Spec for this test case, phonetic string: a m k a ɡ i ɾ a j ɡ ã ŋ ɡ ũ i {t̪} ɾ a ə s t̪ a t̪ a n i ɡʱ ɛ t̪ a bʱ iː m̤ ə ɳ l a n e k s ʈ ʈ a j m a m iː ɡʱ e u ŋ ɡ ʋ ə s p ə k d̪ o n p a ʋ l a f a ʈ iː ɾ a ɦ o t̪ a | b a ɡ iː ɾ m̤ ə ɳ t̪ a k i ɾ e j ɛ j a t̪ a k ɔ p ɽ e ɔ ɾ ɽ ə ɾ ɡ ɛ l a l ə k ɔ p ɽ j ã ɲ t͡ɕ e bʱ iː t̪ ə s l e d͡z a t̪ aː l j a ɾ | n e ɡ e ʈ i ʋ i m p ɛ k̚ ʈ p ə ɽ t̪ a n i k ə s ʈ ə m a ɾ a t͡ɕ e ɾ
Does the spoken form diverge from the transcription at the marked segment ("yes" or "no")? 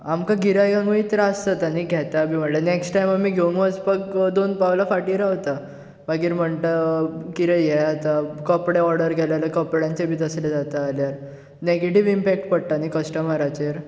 no